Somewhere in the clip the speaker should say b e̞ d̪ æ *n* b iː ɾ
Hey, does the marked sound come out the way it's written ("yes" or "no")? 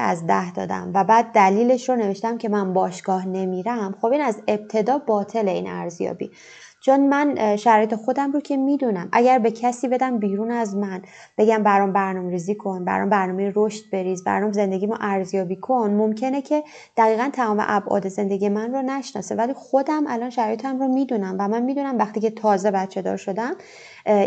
no